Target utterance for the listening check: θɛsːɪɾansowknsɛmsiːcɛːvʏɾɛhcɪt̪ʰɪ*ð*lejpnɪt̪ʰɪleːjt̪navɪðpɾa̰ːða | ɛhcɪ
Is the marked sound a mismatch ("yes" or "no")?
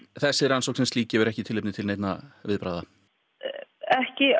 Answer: yes